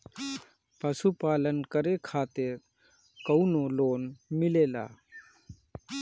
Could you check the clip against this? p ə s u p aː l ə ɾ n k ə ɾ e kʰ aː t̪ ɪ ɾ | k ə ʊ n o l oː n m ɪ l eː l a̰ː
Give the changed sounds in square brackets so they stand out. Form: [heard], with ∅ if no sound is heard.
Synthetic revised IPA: p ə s u p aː l ə [∅] n k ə ɾ e kʰ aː t̪ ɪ ɾ | k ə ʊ n o l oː n m ɪ l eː l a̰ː